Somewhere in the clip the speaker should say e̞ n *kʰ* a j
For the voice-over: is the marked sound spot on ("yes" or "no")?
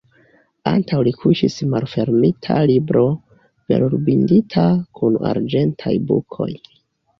no